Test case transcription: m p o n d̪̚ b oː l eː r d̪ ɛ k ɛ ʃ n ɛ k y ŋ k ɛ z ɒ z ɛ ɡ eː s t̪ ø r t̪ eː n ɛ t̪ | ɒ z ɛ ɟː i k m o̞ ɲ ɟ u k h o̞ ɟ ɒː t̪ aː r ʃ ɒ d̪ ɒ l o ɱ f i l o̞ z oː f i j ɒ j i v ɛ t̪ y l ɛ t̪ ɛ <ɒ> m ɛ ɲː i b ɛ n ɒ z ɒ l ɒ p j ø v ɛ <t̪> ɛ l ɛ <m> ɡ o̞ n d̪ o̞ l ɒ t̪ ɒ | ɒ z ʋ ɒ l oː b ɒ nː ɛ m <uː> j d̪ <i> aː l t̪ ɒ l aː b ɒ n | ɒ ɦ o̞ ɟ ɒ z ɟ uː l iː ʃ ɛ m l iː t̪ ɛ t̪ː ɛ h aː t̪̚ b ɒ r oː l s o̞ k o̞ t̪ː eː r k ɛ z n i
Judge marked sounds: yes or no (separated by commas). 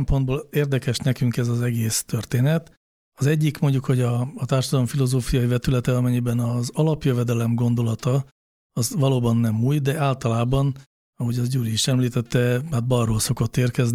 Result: yes, no, yes, yes, no